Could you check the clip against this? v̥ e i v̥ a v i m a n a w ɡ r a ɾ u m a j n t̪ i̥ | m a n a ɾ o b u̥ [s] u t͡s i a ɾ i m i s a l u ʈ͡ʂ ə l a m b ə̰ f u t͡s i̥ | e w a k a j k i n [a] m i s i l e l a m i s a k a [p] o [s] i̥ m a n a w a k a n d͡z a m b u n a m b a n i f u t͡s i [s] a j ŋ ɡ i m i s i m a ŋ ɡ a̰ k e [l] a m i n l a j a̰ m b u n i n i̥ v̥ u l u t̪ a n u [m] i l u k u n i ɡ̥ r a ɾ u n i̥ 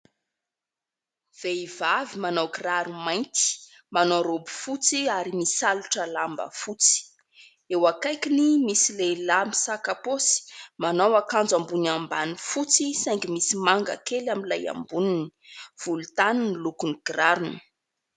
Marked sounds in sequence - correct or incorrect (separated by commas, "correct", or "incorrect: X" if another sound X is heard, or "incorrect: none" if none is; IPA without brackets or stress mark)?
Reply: incorrect: f, incorrect: i, correct, correct, correct, correct, incorrect: n